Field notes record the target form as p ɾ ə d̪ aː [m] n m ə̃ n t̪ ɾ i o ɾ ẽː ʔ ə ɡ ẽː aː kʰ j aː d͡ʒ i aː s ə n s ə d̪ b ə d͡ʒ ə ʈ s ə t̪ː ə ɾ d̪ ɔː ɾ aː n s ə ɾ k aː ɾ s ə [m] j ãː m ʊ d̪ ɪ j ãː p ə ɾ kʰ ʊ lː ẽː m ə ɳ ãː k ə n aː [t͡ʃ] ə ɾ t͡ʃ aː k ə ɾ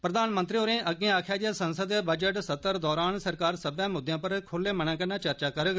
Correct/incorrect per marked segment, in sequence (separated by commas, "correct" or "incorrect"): incorrect, incorrect, correct